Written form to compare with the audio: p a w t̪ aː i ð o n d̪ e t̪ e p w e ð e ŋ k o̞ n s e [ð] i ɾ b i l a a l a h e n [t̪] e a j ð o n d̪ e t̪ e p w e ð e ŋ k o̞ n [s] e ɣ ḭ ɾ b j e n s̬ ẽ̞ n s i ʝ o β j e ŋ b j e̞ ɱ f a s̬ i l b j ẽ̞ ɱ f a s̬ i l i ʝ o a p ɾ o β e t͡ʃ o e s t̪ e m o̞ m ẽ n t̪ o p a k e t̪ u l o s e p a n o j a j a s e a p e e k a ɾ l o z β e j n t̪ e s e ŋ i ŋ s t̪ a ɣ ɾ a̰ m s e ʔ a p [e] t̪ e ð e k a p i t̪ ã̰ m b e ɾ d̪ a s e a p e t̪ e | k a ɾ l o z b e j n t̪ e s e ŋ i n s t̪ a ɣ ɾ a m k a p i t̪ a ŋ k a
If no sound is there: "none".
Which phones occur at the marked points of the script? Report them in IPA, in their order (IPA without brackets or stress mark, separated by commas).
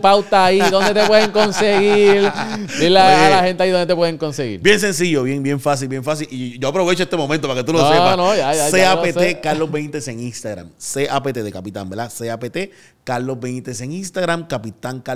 ɣ, t̪, s, e